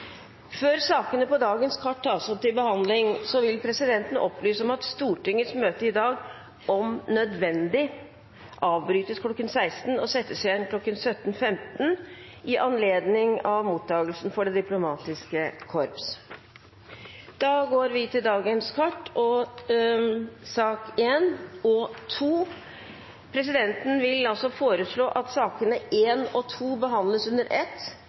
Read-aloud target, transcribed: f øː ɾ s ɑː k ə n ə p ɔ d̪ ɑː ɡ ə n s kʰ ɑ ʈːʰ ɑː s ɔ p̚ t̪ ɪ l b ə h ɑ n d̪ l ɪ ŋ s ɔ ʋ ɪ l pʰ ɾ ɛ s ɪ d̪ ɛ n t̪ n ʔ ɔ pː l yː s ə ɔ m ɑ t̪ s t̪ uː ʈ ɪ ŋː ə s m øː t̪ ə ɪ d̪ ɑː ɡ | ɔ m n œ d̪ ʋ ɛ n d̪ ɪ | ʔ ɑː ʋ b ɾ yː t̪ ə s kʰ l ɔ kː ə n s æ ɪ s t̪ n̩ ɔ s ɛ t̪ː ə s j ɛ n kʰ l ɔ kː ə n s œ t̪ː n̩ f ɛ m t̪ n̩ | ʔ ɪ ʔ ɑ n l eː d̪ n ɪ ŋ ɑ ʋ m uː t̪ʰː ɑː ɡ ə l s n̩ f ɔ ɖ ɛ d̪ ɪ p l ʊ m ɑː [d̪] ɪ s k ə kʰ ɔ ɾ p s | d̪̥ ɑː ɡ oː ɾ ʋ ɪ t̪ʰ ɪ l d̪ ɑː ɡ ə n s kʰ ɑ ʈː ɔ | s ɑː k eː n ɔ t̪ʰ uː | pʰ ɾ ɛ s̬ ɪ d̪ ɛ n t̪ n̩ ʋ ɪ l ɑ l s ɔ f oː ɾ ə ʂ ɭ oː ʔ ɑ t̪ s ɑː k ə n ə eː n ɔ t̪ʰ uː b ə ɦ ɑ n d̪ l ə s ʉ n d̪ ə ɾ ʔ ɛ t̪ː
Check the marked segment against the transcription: incorrect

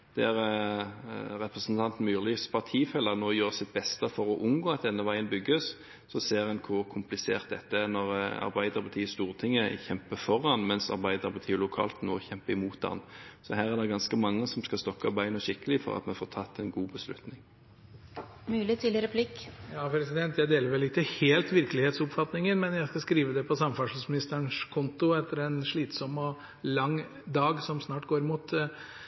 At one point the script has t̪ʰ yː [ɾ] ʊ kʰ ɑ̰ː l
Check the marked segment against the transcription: incorrect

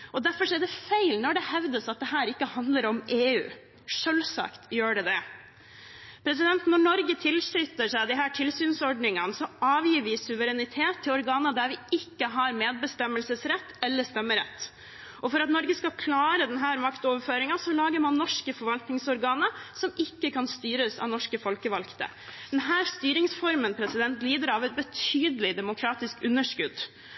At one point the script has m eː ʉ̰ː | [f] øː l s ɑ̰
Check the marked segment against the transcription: incorrect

